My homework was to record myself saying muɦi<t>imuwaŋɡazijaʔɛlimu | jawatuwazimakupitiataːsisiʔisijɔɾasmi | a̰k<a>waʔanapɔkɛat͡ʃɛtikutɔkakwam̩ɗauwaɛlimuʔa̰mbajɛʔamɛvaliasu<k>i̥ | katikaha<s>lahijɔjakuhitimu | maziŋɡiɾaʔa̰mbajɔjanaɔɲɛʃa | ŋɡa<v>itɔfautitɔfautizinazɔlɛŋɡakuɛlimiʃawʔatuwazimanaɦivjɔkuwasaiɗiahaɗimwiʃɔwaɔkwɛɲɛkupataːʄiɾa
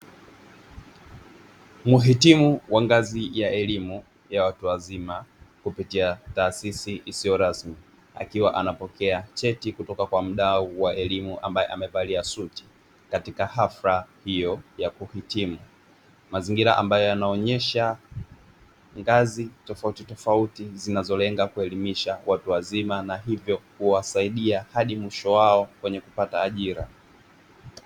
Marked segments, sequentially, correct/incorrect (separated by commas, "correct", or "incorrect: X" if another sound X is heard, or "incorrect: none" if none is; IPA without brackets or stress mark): correct, incorrect: i, incorrect: t, incorrect: f, incorrect: z